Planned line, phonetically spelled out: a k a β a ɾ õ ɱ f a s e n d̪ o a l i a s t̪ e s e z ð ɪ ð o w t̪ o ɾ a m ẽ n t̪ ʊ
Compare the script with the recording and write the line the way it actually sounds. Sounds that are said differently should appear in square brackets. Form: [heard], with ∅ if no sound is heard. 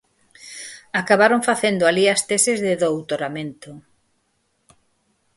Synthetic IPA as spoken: a k a β a ɾ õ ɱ f a [θ] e n d̪ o a l i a s t̪ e s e z ð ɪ ð o w t̪ o ɾ a m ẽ n t̪ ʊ